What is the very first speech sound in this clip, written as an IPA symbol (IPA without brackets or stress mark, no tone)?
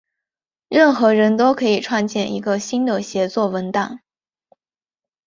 ɻ